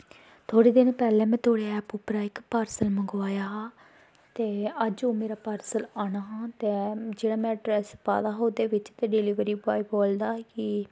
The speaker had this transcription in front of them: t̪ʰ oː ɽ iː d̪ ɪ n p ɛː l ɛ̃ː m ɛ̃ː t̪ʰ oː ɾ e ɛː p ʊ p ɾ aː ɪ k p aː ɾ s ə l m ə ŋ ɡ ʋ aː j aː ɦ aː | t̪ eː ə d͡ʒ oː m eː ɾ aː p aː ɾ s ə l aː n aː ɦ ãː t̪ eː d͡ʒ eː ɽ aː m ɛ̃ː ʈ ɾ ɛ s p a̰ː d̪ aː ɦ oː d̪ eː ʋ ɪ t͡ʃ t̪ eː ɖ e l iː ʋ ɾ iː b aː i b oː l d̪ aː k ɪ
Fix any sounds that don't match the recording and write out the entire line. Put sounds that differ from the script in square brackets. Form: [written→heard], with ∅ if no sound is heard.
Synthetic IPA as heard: t̪ʰ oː ɽ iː d̪ ɪ n p ɛː l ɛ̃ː m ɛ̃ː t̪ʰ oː [ɾ→ɽ] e ɛː p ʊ p ɾ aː ɪ k p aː ɾ s ə l m ə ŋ ɡ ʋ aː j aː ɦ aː | t̪ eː ə d͡ʒ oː m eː ɾ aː p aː ɾ s ə l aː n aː ɦ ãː t̪ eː d͡ʒ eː ɽ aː m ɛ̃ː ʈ ɾ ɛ s p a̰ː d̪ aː ɦ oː d̪ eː ʋ ɪ t͡ʃ t̪ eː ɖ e l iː ʋ ɾ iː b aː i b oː l d̪ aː k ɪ